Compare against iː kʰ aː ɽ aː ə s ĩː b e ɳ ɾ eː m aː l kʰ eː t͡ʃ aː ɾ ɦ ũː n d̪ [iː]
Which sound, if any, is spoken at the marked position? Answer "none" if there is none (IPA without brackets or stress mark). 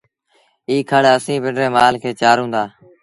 aː